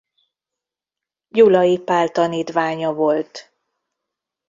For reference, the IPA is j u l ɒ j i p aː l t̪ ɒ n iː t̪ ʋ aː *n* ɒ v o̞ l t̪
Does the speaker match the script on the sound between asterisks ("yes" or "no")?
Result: no